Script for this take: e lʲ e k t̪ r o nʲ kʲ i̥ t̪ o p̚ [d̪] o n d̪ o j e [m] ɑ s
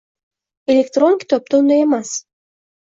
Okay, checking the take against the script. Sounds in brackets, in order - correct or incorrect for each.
incorrect: t̪, correct

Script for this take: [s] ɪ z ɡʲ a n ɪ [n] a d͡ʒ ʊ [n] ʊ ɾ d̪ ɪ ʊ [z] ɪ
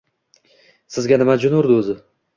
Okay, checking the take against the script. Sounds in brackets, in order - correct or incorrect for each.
correct, incorrect: m, correct, correct

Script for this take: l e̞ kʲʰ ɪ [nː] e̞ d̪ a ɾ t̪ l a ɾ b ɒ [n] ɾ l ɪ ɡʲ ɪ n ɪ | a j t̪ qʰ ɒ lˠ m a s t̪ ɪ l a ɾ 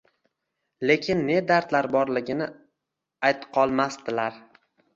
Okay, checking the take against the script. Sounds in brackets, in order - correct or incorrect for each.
correct, incorrect: none

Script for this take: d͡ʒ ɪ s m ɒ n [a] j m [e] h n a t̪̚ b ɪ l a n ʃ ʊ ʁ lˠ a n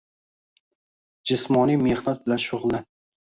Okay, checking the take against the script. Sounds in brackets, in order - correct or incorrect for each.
incorrect: i, correct

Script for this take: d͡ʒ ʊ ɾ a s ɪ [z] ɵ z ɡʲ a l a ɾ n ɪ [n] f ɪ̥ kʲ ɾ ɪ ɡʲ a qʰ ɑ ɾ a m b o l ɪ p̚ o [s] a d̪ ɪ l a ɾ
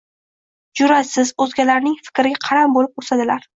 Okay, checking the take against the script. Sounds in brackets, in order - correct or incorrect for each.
correct, incorrect: ŋ, correct

